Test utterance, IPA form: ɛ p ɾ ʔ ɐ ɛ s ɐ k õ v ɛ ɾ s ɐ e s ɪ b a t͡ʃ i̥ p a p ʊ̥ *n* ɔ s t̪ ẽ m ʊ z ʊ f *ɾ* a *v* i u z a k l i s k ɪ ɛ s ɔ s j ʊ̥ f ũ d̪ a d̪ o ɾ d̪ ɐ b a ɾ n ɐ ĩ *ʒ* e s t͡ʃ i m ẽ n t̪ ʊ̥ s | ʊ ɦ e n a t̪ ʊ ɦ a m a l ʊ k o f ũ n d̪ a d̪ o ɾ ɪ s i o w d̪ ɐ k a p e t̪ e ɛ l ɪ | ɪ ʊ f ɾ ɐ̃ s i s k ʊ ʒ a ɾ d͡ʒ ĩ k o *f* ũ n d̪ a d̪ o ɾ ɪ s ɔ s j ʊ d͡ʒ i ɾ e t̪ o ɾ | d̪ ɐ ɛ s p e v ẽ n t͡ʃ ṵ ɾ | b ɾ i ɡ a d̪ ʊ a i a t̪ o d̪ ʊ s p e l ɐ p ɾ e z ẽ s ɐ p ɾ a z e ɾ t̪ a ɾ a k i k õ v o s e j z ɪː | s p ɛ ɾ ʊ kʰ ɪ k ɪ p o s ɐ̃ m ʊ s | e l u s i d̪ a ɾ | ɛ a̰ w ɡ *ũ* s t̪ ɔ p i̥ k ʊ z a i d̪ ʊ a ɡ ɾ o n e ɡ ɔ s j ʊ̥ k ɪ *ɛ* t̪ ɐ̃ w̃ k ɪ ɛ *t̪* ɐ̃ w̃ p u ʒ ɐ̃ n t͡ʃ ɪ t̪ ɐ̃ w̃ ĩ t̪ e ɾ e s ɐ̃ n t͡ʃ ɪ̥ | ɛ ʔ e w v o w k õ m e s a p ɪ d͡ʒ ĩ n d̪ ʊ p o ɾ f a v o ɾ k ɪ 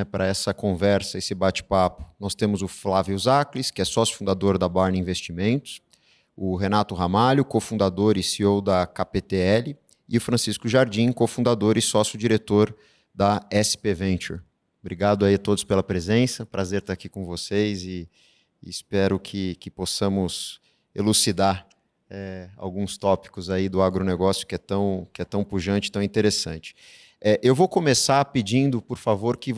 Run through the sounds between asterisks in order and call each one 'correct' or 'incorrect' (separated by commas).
correct, incorrect, correct, incorrect, correct, correct, correct, correct